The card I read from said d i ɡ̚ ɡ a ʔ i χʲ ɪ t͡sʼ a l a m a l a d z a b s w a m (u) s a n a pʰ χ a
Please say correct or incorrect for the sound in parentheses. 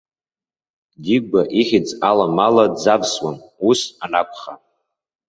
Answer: correct